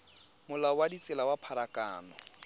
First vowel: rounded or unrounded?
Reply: rounded